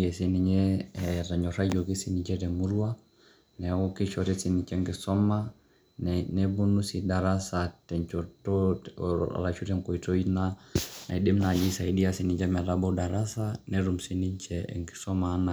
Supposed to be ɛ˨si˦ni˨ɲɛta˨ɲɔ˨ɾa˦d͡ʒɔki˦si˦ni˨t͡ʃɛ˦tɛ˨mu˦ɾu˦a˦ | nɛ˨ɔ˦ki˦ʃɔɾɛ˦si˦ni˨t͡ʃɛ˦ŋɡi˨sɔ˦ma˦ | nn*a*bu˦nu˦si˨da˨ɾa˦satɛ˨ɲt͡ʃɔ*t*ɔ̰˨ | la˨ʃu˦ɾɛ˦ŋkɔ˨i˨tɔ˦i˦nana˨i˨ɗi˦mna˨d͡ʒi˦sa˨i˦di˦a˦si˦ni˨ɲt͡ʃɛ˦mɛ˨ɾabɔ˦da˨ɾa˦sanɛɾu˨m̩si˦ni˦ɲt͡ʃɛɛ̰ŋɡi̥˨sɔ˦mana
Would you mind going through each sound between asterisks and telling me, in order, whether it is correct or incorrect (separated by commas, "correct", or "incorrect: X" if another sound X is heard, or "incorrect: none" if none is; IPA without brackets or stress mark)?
incorrect: ɛ, correct